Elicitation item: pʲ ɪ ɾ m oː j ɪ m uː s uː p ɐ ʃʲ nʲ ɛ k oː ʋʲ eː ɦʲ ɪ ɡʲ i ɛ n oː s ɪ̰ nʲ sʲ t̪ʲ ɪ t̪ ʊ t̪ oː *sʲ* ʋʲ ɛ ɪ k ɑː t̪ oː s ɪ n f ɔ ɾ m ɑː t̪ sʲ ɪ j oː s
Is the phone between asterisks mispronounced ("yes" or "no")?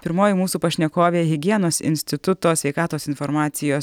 no